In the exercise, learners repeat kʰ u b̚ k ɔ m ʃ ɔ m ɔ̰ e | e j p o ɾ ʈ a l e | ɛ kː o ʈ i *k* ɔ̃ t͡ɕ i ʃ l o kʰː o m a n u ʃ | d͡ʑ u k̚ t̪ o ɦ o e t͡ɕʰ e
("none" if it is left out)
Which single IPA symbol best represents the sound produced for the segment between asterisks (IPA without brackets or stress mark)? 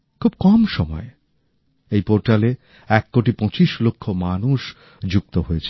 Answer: p